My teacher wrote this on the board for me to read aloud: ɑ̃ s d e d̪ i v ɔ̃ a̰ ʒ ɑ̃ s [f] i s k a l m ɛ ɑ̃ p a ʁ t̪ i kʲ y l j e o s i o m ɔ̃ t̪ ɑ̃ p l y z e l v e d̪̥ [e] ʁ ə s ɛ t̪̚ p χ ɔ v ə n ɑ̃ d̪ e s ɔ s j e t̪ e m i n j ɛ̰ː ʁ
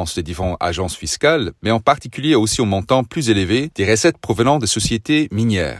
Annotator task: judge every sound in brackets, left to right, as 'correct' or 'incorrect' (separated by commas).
correct, correct